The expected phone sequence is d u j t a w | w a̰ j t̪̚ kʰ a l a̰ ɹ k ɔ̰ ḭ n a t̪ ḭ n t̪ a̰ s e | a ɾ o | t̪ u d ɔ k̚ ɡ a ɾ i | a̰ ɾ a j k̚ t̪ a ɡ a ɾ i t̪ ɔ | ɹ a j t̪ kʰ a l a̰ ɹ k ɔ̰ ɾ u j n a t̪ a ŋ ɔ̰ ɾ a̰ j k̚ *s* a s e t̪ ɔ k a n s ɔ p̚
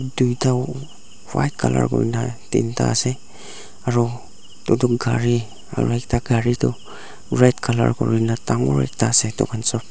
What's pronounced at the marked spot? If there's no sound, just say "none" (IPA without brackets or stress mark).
t